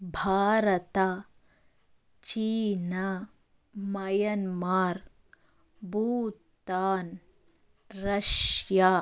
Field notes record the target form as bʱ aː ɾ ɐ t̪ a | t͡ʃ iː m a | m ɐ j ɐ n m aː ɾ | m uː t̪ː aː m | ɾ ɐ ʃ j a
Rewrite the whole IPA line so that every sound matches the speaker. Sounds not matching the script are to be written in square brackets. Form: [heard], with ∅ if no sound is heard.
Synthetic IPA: bʱ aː ɾ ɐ t̪ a | t͡ʃ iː [n] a | m ɐ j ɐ n m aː ɾ | [b] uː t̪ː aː [n] | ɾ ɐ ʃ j a